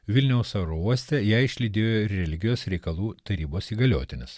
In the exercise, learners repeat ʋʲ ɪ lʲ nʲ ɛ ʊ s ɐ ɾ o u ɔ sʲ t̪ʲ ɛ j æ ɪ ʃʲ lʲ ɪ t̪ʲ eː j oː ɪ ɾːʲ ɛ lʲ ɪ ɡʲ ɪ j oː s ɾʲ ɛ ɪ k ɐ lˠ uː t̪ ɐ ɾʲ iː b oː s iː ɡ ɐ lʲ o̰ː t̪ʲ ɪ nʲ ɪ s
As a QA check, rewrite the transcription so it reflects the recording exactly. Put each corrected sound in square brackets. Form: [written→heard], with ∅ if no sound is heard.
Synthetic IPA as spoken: ʋʲ ɪ lʲ nʲ ɛ ʊ s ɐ ɾ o u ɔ sʲ t̪ʲ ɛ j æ ɪ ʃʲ lʲ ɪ [t̪ʲ→d̪ʲ] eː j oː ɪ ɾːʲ ɛ lʲ ɪ ɡʲ ɪ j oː s ɾʲ ɛ ɪ k ɐ lˠ uː t̪ ɐ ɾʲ iː b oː s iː ɡ ɐ lʲ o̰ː t̪ʲ ɪ nʲ ɪ s